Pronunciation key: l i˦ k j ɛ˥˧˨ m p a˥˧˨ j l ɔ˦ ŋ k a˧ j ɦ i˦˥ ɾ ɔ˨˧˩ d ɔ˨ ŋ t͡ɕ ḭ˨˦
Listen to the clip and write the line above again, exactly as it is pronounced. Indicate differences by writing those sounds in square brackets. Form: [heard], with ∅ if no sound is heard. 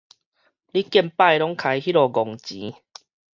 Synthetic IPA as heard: l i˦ k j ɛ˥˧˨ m p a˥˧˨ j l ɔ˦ ŋ [kʰ] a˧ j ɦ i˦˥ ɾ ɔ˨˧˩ [ɡ] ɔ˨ ŋ t͡ɕ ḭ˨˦